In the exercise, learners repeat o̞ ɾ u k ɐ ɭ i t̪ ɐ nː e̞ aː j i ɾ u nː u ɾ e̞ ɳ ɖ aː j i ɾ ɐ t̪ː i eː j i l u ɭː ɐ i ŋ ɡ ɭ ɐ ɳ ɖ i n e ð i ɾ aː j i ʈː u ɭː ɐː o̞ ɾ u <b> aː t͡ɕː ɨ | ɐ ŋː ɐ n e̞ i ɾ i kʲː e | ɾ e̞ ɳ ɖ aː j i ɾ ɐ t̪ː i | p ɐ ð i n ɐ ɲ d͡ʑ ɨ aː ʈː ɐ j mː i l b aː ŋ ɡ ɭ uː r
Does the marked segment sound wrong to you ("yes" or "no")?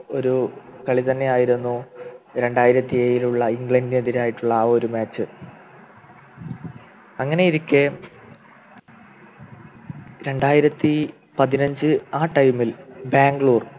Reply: yes